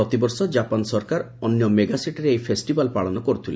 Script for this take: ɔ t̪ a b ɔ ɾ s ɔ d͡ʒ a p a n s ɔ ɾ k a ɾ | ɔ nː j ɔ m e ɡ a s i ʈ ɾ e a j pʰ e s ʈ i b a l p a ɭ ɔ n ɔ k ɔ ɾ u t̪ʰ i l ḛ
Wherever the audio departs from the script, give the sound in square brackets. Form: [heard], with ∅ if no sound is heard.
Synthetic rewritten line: ɔ t̪ [i] b ɔ ɾ s ɔ d͡ʒ a p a n s ɔ ɾ k a ɾ | ɔ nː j ɔ m e ɡ a s i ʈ ɾ e [e] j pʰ e s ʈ i b a l p a ɭ ɔ n ɔ k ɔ ɾ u t̪ʰ i l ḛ